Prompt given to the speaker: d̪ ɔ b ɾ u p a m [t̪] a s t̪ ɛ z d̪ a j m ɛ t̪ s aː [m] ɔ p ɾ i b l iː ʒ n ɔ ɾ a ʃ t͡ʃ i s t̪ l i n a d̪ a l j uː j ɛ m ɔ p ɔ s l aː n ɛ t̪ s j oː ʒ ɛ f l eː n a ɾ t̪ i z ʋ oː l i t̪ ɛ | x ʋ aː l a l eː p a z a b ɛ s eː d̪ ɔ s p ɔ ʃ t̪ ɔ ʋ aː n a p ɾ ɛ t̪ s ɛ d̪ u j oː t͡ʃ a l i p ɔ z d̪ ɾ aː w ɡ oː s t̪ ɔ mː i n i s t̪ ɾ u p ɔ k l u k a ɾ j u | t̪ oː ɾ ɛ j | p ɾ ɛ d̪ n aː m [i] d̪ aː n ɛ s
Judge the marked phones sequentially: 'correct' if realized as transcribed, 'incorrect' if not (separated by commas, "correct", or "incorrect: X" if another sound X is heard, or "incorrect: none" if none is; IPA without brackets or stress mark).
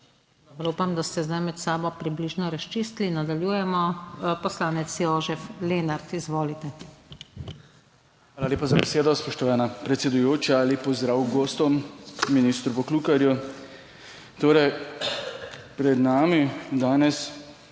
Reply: incorrect: d̪, incorrect: b, correct